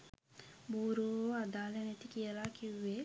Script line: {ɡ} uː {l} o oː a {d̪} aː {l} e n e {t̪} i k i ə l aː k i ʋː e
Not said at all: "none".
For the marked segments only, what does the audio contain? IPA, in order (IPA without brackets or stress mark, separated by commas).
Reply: b, ɾ, d̪, l, t̪